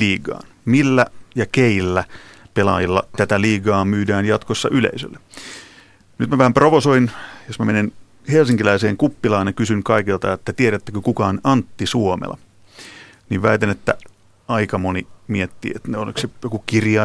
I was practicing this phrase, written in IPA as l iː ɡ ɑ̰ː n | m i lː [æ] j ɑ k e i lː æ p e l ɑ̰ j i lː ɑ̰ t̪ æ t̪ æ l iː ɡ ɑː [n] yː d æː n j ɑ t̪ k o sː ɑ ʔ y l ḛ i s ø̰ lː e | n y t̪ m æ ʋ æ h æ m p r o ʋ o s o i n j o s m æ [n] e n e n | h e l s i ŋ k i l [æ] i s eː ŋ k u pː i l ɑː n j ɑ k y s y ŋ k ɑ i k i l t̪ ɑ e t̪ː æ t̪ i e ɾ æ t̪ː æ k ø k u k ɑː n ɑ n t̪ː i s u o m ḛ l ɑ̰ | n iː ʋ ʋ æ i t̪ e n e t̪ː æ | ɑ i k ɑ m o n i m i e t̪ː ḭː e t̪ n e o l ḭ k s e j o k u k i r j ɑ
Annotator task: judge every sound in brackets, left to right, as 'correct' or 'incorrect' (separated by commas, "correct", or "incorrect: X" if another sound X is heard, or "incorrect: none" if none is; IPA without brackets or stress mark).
correct, incorrect: m, incorrect: m, correct